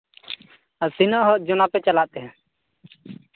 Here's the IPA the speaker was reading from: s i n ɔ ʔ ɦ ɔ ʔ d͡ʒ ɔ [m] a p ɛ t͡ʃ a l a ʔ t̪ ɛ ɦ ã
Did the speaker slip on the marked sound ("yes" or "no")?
yes